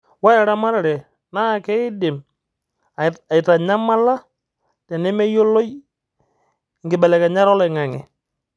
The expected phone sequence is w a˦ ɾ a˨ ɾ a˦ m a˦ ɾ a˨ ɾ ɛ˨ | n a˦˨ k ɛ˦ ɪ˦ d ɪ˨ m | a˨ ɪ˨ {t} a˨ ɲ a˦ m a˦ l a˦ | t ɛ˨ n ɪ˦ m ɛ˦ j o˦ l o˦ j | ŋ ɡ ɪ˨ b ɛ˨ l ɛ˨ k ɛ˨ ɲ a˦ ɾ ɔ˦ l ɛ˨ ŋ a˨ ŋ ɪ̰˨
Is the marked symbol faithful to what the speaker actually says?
yes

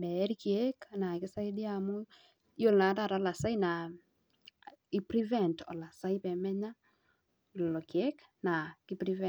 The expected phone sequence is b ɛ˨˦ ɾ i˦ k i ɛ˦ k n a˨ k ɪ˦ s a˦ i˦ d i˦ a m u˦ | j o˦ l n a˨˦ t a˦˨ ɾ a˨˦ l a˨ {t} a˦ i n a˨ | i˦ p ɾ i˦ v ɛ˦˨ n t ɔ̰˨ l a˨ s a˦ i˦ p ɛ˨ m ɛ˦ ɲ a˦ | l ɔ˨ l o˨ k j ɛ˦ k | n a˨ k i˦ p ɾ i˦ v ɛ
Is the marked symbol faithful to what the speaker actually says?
no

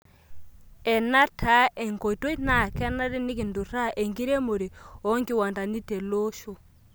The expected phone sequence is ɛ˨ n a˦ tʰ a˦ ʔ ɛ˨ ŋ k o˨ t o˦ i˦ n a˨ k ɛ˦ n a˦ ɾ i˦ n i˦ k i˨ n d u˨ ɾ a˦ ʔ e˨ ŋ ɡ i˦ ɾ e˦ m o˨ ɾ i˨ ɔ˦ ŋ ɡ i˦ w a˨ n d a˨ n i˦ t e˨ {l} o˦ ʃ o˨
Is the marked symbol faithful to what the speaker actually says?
yes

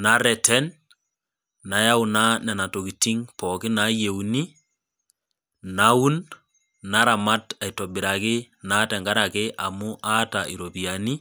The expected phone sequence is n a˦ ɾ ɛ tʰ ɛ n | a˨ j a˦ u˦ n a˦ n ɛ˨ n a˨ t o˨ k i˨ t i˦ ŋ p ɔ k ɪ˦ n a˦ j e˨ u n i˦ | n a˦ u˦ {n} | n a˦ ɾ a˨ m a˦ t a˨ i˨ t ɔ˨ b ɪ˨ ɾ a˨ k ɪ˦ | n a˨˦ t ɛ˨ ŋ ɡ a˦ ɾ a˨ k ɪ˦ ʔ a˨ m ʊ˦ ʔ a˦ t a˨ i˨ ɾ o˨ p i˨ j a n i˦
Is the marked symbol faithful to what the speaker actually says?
yes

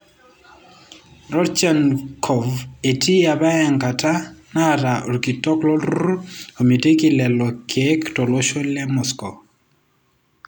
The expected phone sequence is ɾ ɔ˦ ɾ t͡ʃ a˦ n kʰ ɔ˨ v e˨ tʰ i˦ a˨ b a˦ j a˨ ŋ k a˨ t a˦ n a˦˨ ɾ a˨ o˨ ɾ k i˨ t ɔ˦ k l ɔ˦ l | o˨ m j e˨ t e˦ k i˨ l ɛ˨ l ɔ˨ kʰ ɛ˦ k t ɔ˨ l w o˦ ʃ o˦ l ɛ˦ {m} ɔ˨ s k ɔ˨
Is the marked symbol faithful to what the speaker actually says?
yes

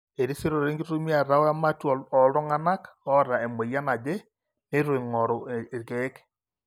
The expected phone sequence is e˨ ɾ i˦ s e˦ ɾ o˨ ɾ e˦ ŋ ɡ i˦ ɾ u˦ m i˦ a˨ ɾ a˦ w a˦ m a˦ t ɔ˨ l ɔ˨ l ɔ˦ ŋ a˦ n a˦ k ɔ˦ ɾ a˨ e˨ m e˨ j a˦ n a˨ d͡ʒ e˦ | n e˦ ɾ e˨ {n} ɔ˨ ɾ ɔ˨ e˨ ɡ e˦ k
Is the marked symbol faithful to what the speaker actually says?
no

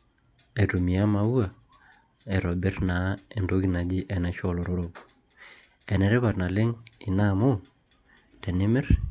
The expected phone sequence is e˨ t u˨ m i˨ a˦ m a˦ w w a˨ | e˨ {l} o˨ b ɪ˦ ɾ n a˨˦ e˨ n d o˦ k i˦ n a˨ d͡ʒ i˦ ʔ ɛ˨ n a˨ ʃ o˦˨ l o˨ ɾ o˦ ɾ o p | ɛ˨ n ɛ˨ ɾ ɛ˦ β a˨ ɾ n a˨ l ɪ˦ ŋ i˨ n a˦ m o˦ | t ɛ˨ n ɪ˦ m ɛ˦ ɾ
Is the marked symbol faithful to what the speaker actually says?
no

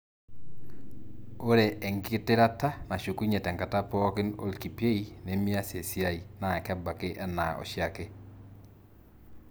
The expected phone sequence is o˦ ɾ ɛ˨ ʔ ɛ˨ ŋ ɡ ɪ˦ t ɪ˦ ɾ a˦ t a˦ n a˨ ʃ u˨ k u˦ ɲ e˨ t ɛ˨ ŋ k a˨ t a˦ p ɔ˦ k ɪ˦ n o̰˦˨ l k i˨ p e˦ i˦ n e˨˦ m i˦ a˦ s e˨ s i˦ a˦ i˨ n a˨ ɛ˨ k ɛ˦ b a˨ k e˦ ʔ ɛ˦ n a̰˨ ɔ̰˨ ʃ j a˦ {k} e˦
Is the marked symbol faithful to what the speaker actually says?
yes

